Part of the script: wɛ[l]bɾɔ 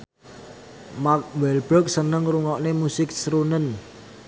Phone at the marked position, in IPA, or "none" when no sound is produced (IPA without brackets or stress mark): l